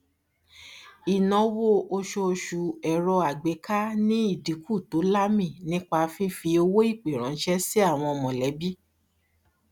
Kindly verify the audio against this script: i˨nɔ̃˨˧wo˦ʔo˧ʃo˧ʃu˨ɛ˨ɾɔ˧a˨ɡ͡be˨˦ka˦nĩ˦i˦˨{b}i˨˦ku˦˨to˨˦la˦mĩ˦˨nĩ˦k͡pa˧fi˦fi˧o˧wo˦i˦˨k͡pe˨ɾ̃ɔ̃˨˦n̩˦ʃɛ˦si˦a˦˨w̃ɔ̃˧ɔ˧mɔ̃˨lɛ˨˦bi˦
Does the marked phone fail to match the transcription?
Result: yes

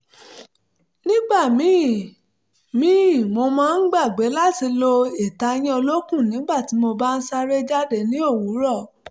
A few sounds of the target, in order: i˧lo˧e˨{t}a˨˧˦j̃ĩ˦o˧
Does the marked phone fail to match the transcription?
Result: no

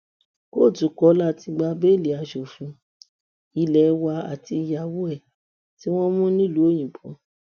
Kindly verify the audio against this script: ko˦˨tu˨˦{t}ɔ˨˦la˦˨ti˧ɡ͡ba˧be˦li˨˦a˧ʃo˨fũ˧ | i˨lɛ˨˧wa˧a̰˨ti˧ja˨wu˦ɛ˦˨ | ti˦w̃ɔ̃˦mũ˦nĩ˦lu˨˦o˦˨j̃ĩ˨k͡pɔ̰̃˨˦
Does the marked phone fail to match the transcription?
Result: yes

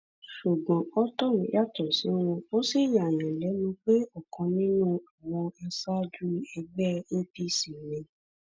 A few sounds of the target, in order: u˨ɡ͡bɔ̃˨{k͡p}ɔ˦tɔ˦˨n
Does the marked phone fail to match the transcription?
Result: yes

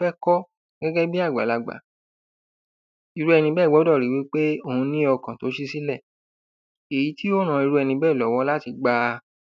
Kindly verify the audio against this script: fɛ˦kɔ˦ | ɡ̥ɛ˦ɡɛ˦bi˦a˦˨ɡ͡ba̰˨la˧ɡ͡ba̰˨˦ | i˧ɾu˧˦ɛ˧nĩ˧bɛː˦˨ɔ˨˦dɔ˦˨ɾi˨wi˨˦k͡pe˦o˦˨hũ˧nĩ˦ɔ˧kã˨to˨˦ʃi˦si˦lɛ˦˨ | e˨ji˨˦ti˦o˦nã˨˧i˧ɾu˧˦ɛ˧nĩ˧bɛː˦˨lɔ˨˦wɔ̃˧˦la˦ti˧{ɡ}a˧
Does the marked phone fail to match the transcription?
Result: yes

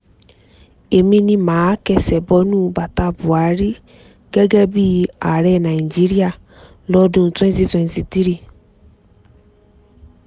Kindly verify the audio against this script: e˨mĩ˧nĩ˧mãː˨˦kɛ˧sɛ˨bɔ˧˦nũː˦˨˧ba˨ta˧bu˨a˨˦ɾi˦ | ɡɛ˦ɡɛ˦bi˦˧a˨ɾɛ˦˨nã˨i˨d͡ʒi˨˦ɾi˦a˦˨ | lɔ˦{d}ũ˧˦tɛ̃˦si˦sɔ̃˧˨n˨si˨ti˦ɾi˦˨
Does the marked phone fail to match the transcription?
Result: no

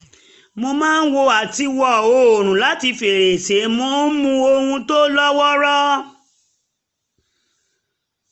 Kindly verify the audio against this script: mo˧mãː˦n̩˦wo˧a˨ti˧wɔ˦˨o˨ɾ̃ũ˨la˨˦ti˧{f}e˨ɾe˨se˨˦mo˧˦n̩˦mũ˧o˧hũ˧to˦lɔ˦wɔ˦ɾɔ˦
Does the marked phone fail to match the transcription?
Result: no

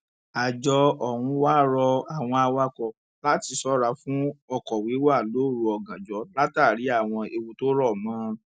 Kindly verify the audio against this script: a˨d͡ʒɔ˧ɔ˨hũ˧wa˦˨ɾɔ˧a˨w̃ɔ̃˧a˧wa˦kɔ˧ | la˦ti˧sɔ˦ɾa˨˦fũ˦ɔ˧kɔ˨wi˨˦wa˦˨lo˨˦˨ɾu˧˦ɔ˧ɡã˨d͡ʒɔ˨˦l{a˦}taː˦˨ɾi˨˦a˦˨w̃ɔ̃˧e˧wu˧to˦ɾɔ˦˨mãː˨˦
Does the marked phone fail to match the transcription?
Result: no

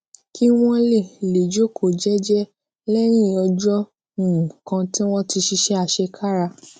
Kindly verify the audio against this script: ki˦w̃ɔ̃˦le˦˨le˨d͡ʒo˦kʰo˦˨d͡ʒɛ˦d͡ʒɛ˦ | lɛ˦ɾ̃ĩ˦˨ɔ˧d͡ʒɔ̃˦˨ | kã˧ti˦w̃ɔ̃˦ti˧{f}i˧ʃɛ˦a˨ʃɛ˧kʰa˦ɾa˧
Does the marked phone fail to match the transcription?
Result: yes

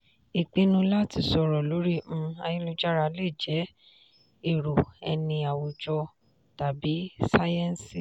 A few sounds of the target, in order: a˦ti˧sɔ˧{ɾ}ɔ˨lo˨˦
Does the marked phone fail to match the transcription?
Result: no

